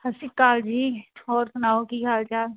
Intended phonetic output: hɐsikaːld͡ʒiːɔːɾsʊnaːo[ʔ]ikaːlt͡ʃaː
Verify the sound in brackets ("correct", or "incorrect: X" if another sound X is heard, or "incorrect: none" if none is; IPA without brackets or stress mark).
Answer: incorrect: k